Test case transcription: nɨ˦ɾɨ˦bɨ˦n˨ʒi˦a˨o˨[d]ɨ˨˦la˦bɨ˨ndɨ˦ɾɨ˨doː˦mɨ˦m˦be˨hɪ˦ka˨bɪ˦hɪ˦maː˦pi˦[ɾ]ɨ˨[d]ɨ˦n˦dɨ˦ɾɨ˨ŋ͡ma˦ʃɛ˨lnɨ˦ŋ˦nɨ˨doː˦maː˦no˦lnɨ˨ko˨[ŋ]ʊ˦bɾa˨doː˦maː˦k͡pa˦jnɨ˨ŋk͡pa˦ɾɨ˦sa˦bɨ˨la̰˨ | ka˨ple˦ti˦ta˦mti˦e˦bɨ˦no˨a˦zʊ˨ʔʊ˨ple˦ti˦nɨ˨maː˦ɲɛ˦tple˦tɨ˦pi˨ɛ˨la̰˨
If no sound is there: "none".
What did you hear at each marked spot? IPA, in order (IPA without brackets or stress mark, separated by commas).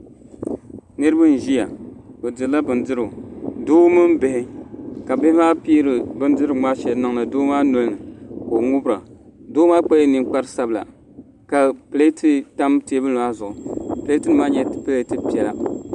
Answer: d, ɾ, b, ŋ